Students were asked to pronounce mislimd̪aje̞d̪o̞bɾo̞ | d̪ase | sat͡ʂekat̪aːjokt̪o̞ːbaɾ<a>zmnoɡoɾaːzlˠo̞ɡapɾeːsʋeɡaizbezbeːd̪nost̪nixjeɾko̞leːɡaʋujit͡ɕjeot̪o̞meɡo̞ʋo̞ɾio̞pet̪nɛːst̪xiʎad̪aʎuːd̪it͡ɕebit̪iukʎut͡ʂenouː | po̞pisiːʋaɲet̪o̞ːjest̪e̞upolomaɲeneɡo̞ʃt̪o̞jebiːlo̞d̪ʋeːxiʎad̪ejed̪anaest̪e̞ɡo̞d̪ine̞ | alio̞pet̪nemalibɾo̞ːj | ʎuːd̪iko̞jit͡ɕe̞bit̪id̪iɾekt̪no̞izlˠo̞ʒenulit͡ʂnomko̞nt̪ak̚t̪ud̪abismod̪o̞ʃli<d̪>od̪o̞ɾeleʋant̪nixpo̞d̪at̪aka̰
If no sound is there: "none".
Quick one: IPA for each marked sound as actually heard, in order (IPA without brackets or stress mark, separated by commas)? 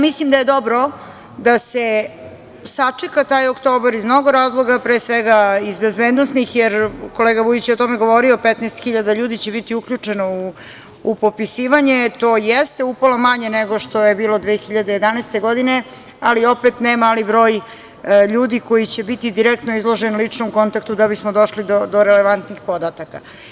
i, d̪